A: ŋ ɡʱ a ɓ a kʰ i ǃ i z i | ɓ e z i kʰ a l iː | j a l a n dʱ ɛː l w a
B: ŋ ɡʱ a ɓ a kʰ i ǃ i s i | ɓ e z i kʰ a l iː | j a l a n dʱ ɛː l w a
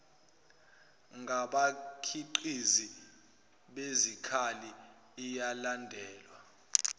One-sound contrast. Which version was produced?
A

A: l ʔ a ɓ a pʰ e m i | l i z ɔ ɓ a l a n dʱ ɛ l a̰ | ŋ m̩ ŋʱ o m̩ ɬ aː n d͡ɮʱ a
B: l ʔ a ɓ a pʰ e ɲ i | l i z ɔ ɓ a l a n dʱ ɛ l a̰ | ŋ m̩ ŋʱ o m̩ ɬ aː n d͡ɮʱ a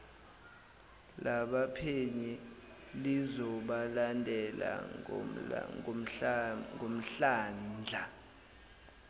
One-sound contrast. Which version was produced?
B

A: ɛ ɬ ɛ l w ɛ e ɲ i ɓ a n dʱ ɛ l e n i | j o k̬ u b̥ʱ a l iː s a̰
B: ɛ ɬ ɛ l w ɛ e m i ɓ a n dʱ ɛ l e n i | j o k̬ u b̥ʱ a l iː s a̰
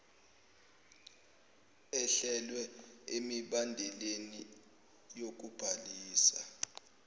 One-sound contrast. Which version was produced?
B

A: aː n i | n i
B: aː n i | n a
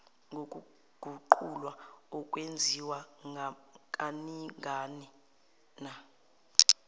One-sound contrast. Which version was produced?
B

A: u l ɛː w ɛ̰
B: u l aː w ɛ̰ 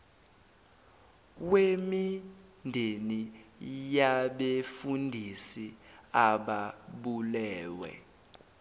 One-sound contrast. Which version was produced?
A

